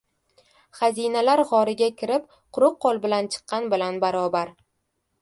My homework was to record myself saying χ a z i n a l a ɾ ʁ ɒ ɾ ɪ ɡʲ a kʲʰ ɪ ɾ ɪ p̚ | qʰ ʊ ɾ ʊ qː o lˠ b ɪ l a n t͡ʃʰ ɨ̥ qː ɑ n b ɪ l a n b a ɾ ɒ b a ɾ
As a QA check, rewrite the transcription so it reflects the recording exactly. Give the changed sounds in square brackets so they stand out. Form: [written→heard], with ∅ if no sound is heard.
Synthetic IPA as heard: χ a z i n a l a ɾ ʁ ɒ ɾ ɪ ɡʲ a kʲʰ ɪ ɾ ɪ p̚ | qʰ ʊ ɾ ʊ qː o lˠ b ɪ l a n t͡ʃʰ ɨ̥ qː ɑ n b ɪ l a n b a ɾ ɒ b a ɾ